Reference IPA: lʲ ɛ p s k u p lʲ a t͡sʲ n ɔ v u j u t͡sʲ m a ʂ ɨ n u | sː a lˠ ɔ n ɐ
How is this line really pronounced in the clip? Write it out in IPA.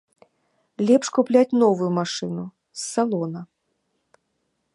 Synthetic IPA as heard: lʲ ɛ p ʂ k u p lʲ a t͡sʲ n ɔ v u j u m a ʂ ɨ n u | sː a lˠ ɔ n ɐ